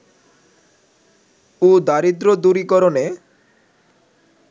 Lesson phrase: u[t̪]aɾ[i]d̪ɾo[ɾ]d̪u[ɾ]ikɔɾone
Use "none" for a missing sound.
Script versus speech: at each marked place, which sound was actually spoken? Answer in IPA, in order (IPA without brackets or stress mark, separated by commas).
d̪, i, none, ɾ